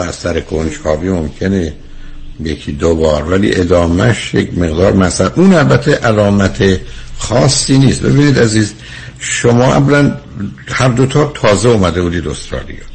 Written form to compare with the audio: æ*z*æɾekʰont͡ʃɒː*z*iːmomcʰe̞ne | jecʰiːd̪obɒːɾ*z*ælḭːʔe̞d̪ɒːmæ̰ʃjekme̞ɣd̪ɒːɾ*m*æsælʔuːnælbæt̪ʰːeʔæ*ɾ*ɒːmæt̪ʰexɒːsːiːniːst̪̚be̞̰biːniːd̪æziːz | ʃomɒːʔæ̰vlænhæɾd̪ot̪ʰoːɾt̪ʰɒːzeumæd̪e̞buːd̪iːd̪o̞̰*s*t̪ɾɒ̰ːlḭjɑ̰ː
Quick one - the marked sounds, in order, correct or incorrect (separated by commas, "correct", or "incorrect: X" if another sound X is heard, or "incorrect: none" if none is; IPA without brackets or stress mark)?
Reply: incorrect: s, incorrect: v, incorrect: v, correct, incorrect: l, correct